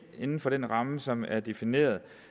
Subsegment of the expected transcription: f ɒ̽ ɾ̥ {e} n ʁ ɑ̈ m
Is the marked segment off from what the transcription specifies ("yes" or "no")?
no